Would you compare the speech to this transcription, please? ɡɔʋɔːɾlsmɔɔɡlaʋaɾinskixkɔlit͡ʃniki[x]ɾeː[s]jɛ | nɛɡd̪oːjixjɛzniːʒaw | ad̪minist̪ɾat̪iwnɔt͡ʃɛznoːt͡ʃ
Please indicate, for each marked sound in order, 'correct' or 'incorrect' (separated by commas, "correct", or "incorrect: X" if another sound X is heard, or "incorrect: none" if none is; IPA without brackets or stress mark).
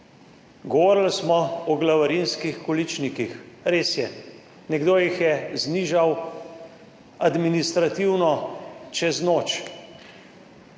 correct, correct